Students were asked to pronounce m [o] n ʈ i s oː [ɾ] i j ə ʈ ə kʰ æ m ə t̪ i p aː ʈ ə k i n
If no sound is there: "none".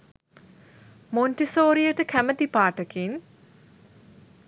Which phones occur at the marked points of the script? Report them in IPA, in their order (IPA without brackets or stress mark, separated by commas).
o, ɾ